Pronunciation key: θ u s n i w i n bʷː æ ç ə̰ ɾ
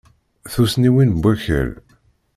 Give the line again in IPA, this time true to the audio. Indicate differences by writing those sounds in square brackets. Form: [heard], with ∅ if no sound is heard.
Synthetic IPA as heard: θ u s n i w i n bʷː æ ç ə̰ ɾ